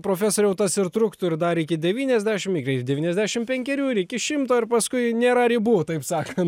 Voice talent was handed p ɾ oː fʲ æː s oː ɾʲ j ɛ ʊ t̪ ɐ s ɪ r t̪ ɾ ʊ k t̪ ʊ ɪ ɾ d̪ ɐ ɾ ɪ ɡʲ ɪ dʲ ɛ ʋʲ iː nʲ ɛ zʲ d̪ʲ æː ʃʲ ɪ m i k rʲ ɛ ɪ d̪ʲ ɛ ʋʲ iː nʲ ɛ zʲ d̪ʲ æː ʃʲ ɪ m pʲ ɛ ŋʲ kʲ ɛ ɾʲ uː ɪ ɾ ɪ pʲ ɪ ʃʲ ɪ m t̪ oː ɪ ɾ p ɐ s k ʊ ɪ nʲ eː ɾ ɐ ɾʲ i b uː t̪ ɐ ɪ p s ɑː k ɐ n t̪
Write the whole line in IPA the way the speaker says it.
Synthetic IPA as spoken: p ɾ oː fʲ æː s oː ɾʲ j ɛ ʊ t̪ ɐ s ɪ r t̪ ɾ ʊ k t̪ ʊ ɪ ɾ d̪ ɐ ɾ ɪ kʲ ɪ dʲ ɛ ʋʲ iː nʲ ɛ zʲ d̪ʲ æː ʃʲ ɪ m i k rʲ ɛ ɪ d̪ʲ ɛ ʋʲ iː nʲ ɛ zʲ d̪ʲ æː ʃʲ ɪ m pʲ ɛ ŋʲ kʲ ɛ ɾʲ uː ɪ ɾ ɪ kʲ ɪ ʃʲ ɪ m t̪ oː ɪ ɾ p ɐ s k ʊ ɪ nʲ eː ɾ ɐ ɾʲ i b uː t̪ ɐ ɪ p s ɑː k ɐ n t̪